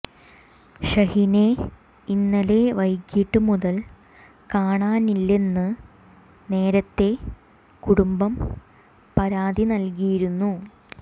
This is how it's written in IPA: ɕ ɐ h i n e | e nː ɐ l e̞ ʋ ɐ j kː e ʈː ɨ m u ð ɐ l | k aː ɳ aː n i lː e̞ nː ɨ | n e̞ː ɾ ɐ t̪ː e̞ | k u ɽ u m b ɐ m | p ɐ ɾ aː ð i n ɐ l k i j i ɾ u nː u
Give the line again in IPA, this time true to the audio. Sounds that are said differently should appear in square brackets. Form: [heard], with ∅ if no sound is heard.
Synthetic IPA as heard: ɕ ɐ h i n e | [i] nː ɐ l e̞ ʋ ɐ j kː [i] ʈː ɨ m u ð ɐ l | k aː ɳ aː n i lː e̞ nː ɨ | n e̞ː ɾ ɐ t̪ː e̞ | k u ɽ u m b ɐ m | p ɐ ɾ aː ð i n ɐ l k i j i ɾ u nː u